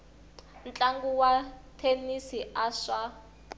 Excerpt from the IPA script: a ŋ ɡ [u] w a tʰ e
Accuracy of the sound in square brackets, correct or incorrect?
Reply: correct